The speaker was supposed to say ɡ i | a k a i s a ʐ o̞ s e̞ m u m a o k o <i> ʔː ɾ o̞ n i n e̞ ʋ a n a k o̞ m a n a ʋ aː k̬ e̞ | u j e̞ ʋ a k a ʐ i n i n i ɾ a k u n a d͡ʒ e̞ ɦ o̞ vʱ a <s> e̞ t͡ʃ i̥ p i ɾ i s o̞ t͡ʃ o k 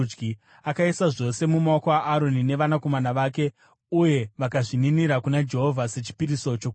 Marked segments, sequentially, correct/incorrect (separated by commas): incorrect, correct